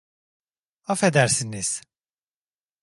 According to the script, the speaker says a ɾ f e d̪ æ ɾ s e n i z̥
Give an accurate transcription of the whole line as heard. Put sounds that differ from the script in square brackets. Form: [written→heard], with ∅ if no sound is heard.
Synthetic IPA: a [ɾ→∅] f e d̪ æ ɾ s [e→i] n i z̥